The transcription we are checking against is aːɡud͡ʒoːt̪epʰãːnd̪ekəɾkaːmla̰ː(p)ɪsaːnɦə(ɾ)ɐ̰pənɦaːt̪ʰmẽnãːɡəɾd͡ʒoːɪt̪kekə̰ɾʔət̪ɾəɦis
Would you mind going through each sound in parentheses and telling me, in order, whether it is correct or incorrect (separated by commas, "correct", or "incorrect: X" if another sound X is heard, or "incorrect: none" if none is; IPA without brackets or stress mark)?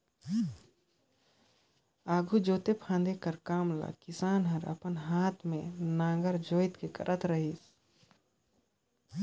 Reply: incorrect: k, correct